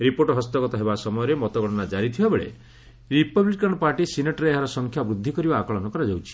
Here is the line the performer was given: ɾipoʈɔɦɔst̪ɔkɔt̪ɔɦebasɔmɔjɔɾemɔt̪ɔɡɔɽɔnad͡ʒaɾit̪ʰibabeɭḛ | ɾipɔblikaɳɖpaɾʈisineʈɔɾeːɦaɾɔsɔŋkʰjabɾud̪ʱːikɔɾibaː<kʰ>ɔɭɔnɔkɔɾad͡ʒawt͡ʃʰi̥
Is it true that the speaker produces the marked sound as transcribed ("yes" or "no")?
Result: no